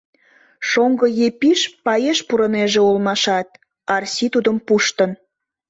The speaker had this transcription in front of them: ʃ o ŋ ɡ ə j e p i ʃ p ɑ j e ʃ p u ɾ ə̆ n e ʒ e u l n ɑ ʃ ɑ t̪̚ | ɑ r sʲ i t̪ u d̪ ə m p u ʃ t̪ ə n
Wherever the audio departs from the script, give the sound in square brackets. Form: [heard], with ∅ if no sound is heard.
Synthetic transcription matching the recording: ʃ o ŋ ɡ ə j e p i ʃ p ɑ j e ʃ p u ɾ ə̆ n e ʒ e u l [m] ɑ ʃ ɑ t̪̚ | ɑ r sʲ i t̪ u d̪ ə m p u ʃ t̪ ə n